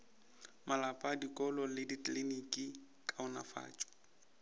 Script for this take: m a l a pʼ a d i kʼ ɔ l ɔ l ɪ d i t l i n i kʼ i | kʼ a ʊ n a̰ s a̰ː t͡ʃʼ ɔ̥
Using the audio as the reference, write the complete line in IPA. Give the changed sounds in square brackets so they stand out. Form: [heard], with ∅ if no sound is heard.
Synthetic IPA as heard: m a l a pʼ a d i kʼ ɔ l ɔ l ɪ d i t l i n i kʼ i | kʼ a ʊ n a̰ [f] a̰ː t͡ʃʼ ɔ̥